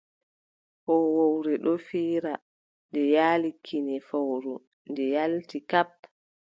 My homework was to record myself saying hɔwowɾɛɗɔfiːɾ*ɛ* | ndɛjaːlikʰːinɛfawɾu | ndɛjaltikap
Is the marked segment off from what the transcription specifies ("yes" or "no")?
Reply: yes